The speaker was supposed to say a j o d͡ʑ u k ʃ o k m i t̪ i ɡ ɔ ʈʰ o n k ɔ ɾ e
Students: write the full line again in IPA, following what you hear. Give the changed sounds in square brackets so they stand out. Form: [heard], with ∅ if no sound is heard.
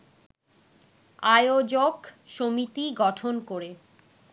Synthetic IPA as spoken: a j o d͡ʑ [o] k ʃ o [∅] m i t̪ i ɡ ɔ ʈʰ o n k [o] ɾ e